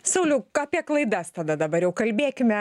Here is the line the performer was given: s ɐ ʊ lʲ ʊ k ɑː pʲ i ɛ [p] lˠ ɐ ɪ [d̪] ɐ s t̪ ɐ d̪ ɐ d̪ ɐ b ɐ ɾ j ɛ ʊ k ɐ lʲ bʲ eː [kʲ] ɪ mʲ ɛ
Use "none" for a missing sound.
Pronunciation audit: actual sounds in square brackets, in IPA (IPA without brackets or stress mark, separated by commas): k, d̪, kʲ